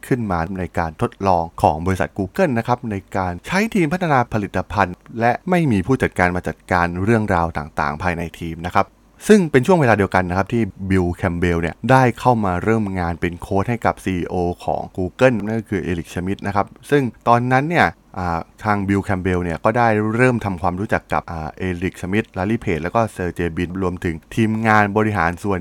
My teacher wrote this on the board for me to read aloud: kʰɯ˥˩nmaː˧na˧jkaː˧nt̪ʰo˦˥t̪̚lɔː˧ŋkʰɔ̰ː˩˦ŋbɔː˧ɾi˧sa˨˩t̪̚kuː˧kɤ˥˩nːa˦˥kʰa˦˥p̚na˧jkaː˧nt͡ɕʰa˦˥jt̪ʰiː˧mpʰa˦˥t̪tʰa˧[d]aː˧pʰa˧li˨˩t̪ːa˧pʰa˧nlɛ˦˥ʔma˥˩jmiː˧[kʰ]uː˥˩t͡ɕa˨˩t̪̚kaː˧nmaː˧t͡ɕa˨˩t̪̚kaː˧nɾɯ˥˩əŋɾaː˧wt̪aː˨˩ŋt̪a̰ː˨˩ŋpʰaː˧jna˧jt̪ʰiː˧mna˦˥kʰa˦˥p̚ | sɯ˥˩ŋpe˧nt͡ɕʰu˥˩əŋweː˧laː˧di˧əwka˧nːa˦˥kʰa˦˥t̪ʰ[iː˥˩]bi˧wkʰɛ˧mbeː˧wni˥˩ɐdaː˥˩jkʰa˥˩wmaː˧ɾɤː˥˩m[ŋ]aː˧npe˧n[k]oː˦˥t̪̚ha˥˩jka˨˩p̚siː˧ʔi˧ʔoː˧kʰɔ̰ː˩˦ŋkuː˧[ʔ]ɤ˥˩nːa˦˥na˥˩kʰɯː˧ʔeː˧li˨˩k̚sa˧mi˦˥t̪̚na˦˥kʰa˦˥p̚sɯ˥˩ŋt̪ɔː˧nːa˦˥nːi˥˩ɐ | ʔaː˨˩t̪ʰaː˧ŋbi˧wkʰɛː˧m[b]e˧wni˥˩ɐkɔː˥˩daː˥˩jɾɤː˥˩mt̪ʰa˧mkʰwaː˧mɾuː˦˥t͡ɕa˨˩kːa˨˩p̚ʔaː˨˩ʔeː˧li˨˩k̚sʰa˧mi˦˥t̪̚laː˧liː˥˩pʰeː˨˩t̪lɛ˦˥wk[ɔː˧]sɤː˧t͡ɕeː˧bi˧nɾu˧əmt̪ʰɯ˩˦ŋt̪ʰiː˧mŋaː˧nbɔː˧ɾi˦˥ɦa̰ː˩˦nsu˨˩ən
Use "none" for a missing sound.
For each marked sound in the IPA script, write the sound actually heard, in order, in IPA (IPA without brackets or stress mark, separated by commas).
n, pʰ, iː˥˩, ŋ, kʰ, k, b, ɔː˥˩